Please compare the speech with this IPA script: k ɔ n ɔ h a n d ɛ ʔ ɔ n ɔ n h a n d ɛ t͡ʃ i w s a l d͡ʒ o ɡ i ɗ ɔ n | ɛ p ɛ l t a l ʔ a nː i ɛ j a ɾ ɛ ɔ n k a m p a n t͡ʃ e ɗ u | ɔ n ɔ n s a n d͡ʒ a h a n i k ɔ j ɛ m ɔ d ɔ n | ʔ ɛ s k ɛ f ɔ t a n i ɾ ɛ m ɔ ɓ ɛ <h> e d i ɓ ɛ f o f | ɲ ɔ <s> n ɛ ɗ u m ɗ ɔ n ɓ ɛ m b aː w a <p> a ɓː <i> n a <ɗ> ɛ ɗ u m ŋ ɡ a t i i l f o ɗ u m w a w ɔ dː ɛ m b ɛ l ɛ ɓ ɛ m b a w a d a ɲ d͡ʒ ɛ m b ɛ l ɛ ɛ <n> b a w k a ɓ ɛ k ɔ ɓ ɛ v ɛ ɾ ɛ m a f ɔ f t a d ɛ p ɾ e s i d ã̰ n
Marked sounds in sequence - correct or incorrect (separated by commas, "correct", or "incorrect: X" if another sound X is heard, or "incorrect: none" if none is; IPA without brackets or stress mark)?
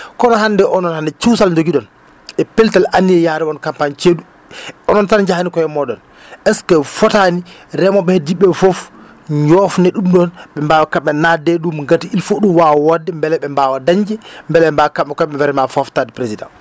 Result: correct, incorrect: f, incorrect: k, incorrect: ɛ, incorrect: d, incorrect: m